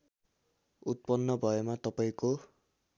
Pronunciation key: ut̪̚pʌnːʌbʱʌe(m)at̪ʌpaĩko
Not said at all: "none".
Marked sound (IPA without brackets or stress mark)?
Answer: m